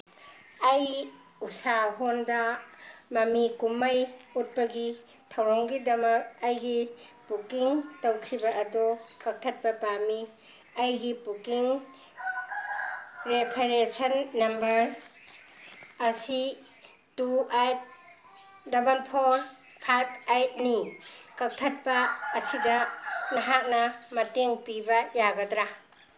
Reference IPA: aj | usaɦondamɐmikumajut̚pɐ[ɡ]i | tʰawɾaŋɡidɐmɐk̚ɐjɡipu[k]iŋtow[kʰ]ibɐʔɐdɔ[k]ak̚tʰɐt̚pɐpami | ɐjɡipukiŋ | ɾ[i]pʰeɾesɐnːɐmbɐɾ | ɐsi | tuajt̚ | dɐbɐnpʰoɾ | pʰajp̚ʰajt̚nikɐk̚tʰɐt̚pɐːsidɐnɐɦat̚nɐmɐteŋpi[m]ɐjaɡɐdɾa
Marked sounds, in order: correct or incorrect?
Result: correct, correct, correct, correct, incorrect, incorrect

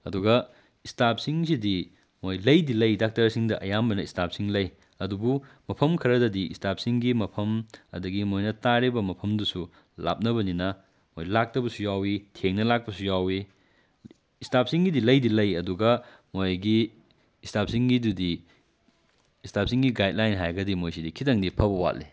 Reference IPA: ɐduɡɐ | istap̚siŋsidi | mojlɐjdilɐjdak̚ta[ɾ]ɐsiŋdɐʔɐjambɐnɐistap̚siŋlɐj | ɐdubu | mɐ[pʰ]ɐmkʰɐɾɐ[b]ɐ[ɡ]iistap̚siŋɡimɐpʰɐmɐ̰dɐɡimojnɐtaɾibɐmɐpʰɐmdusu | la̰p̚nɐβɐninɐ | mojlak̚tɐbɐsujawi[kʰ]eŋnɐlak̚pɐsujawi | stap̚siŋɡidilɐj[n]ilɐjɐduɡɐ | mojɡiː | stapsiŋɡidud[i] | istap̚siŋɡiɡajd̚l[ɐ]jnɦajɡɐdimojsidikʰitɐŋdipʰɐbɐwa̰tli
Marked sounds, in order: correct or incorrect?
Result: correct, correct, incorrect, incorrect, incorrect, incorrect, correct, incorrect

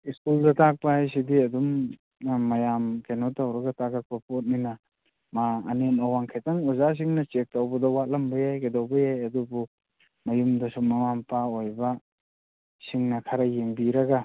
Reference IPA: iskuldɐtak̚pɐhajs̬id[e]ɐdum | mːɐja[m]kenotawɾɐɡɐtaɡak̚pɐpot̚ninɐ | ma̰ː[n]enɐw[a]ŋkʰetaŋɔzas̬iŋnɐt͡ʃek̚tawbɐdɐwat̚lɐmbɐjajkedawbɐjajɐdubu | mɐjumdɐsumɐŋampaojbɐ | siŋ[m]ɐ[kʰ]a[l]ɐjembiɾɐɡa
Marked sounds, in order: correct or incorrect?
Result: incorrect, correct, correct, correct, incorrect, correct, incorrect

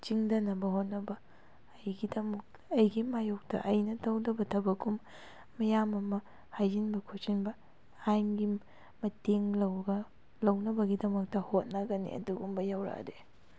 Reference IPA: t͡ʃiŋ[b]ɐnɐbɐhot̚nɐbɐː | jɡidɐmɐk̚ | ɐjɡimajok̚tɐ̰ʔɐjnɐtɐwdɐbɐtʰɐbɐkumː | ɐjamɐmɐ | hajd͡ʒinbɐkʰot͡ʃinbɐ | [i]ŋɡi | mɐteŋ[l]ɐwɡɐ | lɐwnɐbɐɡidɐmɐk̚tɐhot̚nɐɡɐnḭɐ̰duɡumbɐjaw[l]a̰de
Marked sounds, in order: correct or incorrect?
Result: incorrect, incorrect, correct, incorrect

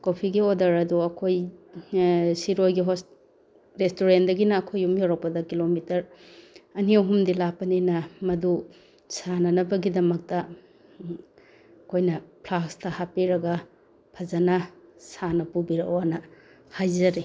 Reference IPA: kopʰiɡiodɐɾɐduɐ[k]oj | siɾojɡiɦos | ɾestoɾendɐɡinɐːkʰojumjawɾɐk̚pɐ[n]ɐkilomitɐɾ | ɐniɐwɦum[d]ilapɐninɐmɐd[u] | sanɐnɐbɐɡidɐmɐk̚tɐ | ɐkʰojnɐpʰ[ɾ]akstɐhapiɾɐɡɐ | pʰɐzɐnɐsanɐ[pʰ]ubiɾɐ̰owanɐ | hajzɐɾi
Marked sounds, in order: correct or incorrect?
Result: incorrect, incorrect, correct, correct, incorrect, incorrect

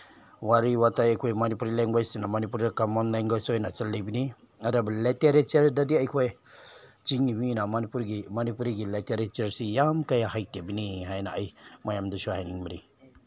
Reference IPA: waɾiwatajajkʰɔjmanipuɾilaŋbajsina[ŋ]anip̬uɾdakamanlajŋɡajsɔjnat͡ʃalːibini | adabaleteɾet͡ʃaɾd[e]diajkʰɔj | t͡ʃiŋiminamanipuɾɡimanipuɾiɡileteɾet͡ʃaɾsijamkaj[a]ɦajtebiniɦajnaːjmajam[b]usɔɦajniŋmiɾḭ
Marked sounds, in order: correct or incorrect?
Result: incorrect, incorrect, correct, incorrect

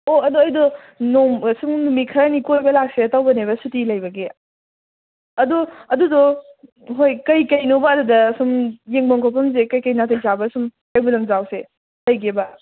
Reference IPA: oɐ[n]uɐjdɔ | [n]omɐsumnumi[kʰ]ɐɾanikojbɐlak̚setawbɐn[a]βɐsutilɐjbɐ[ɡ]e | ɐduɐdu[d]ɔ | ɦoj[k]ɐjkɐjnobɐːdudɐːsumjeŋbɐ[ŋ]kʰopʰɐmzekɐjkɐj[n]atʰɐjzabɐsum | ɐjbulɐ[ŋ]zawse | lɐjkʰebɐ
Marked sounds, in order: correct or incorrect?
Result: incorrect, correct, correct, incorrect, correct, correct, correct, correct, correct, correct

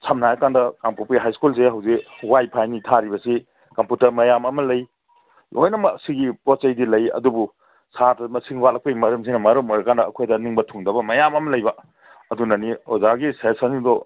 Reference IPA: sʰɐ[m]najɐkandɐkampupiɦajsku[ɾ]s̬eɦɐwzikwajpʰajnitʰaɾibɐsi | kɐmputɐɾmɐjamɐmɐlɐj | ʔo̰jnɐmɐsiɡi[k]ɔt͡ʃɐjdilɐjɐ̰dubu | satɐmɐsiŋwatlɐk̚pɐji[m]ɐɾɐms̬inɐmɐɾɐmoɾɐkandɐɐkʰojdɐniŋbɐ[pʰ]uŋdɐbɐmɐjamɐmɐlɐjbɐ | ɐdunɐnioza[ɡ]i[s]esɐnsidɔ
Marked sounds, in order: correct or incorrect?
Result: correct, incorrect, incorrect, correct, incorrect, correct, correct

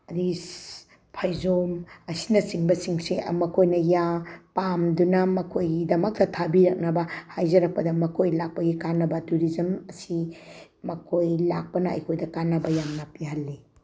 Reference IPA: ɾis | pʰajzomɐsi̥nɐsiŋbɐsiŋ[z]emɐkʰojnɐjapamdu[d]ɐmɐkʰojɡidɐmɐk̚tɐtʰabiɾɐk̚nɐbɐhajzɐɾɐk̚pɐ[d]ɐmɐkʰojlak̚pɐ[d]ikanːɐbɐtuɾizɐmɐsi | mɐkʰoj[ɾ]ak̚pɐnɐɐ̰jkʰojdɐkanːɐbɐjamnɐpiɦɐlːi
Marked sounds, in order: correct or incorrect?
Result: incorrect, incorrect, correct, incorrect, incorrect

